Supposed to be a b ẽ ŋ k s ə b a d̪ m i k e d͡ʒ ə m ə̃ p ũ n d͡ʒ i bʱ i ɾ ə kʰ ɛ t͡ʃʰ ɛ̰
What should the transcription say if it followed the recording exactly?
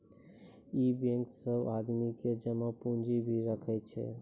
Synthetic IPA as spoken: i b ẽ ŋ k s ə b a d̪ m i k e d͡ʒ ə m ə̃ p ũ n d͡ʒ i bʱ i ɾ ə kʰ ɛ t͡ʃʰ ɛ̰